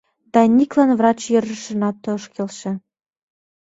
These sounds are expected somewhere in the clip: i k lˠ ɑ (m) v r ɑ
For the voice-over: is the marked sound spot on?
no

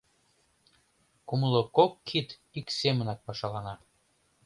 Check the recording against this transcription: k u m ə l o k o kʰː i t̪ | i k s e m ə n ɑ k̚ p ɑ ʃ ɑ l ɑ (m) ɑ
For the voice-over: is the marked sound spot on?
no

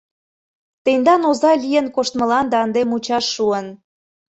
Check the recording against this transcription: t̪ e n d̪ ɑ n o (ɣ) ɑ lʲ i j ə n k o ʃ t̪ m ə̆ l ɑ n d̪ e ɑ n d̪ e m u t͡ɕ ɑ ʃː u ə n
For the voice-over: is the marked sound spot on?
no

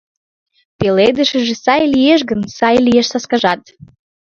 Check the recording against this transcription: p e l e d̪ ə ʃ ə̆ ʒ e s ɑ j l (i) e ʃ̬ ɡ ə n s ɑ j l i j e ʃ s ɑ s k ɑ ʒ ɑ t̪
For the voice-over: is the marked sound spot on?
yes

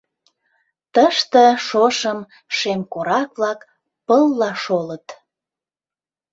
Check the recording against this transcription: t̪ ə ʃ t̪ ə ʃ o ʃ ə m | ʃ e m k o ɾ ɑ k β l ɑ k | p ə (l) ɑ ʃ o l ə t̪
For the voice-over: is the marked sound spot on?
no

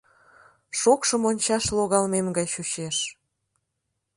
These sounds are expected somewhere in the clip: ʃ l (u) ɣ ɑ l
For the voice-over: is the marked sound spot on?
no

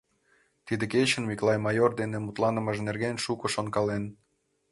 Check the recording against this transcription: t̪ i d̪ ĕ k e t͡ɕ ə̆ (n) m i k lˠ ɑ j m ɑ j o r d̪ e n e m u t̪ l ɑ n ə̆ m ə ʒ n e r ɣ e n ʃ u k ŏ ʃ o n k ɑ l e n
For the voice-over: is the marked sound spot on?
yes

